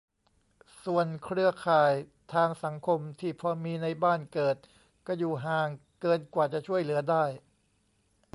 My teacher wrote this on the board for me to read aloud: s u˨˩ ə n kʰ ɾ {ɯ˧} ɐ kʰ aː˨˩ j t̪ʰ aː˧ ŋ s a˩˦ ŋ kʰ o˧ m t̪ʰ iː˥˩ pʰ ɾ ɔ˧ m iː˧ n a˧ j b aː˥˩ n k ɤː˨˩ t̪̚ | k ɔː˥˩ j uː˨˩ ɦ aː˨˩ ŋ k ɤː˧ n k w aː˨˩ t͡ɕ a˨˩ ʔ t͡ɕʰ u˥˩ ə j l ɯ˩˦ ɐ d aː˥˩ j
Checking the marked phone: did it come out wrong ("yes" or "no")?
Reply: yes